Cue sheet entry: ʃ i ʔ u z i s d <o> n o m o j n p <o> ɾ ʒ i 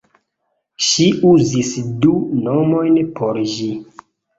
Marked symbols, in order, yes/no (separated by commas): no, yes